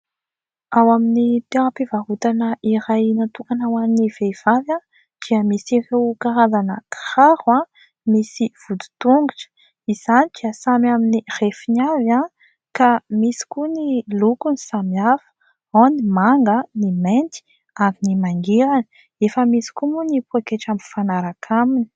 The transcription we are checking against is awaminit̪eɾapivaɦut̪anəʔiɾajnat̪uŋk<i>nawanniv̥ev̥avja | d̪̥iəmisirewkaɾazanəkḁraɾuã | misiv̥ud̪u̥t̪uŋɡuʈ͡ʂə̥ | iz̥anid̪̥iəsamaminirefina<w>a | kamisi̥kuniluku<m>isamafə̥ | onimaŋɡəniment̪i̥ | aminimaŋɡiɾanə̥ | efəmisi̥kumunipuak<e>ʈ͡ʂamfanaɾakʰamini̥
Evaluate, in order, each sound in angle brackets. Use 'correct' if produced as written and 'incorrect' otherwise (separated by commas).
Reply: incorrect, incorrect, incorrect, correct